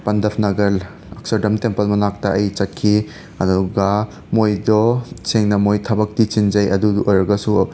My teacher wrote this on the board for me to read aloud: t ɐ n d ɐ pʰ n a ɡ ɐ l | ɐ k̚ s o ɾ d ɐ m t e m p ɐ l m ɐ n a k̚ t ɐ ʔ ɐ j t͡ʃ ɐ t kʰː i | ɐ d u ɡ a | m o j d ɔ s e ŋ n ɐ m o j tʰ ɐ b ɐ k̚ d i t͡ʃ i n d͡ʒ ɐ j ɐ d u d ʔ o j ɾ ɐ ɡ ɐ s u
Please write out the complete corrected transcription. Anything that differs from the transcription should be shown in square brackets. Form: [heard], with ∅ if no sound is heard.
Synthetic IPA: [p] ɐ n d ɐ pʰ n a ɡ ɐ l | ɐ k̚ s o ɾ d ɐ m t e m p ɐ l m ɐ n a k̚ t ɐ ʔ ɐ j t͡ʃ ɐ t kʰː i | ɐ d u ɡ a | m o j d ɔ s e ŋ n ɐ m o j tʰ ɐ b ɐ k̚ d i t͡ʃ i n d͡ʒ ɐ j ɐ d u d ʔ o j ɾ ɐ ɡ ɐ s u